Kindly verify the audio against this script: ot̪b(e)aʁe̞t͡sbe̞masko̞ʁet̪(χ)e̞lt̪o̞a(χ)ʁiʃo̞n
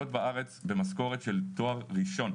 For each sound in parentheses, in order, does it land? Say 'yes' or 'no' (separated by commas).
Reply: no, no, no